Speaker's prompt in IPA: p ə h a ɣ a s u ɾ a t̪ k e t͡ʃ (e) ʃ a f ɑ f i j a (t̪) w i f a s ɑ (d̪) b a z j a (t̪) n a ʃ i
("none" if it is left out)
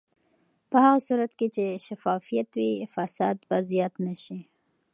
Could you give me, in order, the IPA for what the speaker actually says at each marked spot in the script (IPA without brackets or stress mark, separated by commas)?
e, t̪, d̪, t̪